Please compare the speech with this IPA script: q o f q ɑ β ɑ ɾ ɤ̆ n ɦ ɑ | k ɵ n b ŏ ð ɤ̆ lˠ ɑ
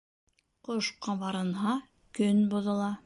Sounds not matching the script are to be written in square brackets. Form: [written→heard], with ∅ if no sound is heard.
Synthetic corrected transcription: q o [f→ʃ] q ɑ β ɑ ɾ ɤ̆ n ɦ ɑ | k ɵ n b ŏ ð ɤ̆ lˠ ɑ